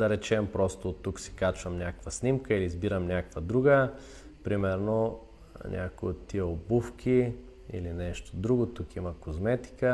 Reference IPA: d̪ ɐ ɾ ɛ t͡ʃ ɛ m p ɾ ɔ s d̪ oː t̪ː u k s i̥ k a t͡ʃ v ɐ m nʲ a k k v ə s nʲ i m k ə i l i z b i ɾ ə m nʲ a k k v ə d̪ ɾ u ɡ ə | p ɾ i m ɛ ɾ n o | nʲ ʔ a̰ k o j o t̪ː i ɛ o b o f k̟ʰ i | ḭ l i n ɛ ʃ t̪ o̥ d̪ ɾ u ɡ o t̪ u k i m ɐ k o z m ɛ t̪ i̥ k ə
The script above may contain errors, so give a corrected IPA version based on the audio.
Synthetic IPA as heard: d̪ ɐ ɾ ɛ t͡ʃ ɛ m p ɾ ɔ s t̪ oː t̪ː u k s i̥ k a t͡ʃ v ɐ m nʲ a k k v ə s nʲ i m k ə i l i z b i ɾ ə m nʲ a k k v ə d̪ ɾ u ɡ ə | p ɾ i m ɛ ɾ n o | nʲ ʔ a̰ k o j o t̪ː i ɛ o b u f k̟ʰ i | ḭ l i n ɛ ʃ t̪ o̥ d̪ ɾ u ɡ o t̪ u k i m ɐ k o z m ɛ t̪ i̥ k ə